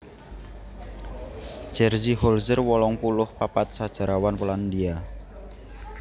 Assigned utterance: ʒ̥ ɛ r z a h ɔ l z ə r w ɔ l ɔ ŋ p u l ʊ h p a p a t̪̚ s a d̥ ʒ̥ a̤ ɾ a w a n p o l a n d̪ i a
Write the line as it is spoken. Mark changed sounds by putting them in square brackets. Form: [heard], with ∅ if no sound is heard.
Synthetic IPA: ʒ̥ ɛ r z [i] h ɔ l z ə r w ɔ l ɔ ŋ p u l ʊ h p a p a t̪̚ s a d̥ ʒ̥ a̤ ɾ a w a n p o l a n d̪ i a